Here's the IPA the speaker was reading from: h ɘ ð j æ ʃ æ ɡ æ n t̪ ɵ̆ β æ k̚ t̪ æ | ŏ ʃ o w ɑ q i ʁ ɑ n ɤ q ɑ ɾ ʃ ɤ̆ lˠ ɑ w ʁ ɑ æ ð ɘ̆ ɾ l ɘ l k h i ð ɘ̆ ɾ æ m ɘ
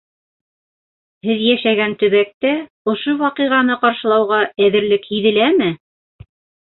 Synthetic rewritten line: h ɘ ð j æ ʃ æ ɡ æ n t̪ ɵ̆ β æ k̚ t̪ æ | ŏ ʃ o w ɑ q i ʁ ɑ n ɤ q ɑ ɾ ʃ ɤ̆ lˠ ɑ w ʁ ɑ æ ð ɘ̆ ɾ l ɘ k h i ð ɘ̆ l æ m ɘ